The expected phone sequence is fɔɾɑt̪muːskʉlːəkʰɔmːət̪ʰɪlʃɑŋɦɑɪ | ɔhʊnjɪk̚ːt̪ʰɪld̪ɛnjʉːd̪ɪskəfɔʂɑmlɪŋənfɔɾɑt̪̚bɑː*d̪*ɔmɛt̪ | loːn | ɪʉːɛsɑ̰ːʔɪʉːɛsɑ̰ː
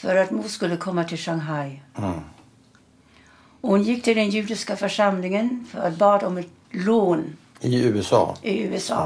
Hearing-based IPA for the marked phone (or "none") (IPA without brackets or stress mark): d̪